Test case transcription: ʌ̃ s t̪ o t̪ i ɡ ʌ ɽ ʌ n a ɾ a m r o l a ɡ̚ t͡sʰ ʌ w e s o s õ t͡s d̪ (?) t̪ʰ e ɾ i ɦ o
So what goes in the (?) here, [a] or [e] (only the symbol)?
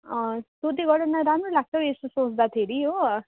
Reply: a